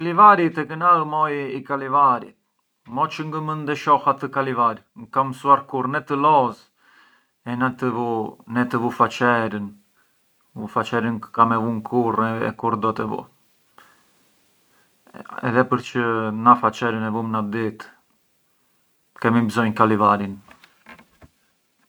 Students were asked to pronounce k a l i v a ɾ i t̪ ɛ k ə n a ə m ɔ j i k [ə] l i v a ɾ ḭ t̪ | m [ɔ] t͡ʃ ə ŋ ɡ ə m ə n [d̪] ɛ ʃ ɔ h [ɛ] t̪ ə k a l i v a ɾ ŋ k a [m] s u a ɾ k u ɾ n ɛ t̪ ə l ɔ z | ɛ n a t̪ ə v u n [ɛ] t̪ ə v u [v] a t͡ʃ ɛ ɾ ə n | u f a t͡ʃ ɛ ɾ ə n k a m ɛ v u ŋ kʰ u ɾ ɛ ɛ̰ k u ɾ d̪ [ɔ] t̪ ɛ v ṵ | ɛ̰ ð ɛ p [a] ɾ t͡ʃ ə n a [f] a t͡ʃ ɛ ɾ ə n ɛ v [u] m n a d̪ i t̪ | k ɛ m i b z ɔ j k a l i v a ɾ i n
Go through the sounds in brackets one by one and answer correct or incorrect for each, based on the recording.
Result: incorrect, correct, correct, incorrect, correct, correct, incorrect, correct, incorrect, correct, correct

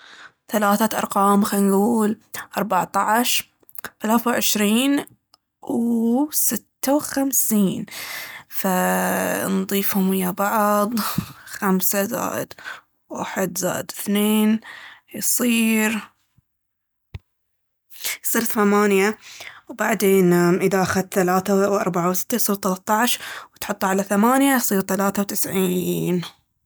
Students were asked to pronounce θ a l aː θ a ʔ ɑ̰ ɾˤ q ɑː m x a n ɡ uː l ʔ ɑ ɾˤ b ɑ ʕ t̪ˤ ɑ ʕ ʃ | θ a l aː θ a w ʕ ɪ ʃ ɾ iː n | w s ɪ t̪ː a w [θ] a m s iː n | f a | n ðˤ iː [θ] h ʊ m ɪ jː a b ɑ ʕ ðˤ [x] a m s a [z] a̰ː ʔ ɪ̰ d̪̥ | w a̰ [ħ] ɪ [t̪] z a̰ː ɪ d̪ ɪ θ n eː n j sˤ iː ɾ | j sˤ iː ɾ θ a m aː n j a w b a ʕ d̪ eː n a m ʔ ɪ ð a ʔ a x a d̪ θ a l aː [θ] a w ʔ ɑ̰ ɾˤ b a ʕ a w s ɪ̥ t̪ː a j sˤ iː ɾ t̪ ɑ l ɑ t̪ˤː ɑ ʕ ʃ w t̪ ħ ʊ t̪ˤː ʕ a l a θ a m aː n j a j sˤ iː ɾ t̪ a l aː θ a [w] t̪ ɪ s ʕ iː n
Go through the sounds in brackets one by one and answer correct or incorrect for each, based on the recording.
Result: incorrect, incorrect, correct, correct, correct, incorrect, correct, correct

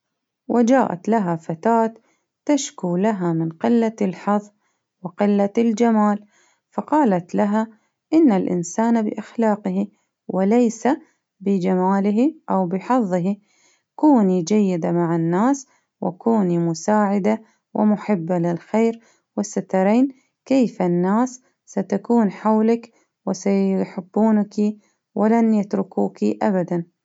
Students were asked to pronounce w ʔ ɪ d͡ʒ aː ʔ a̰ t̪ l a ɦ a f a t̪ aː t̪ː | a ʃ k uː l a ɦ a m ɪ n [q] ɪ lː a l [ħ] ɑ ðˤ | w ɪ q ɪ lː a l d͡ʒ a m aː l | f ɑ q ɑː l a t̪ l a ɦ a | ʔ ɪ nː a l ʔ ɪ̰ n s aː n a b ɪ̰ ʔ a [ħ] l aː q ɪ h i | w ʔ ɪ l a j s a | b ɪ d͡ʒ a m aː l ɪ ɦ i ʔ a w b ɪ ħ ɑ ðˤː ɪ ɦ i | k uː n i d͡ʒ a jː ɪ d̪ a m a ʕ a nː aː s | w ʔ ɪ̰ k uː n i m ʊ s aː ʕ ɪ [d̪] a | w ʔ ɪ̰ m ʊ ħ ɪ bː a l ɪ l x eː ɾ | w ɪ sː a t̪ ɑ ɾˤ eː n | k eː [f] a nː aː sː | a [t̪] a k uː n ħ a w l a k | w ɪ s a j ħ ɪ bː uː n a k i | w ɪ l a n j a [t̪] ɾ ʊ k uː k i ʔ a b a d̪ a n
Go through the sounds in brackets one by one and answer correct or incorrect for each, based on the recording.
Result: correct, correct, incorrect, correct, correct, correct, correct

